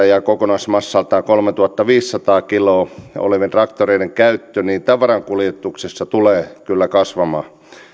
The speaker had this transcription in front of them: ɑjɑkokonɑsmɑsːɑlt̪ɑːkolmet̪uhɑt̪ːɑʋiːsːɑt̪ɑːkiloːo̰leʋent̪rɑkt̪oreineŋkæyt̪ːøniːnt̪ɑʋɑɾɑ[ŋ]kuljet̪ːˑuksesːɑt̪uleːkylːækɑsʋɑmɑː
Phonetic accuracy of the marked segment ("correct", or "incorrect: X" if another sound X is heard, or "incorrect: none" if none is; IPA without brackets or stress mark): correct